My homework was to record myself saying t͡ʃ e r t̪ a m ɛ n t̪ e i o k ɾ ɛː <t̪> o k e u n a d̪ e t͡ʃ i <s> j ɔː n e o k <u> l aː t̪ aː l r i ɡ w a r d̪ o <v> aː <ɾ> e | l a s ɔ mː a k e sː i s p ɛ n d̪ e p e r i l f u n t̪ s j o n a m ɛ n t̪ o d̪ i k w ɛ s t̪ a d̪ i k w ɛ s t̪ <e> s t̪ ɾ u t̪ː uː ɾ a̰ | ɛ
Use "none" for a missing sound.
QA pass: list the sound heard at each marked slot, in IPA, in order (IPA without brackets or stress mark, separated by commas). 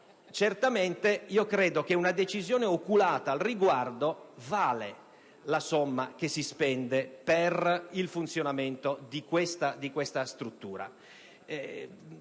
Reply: d̪, z, u, v, l, a